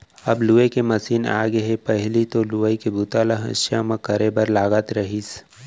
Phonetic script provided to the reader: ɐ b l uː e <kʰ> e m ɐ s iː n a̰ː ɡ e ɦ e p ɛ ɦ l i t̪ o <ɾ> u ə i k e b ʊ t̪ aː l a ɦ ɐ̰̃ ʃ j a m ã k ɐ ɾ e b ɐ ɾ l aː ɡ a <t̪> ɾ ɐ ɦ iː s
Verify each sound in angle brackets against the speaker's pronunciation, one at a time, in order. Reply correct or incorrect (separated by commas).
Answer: incorrect, incorrect, correct